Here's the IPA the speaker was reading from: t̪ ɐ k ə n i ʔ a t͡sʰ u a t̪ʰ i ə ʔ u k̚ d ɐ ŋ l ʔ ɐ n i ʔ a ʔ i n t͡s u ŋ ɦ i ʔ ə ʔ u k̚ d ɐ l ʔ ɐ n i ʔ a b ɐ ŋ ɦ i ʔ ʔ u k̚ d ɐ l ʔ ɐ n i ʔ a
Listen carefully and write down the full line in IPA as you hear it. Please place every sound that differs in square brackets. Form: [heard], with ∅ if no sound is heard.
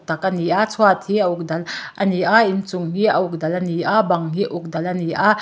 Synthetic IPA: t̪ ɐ k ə n i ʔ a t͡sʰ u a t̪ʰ i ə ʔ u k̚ d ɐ [∅] l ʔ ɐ n i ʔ a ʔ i n t͡s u ŋ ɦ i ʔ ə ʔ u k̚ d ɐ l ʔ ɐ n i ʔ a b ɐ ŋ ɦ i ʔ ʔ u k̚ d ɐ l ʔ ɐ n i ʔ a